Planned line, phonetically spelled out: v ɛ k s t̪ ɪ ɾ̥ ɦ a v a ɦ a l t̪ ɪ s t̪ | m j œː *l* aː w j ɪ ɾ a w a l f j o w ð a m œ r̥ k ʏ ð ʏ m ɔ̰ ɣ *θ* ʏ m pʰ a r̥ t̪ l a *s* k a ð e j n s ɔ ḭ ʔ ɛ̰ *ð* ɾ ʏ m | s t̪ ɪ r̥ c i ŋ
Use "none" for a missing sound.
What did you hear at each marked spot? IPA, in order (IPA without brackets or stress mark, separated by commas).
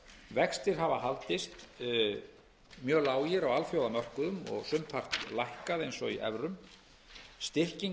l, s, h, v